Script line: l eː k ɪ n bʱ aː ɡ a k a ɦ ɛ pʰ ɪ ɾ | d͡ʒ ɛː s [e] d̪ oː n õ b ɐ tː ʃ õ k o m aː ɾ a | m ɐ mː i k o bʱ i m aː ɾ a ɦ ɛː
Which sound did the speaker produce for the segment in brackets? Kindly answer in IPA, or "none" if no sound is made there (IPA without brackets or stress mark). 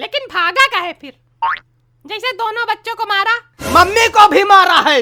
e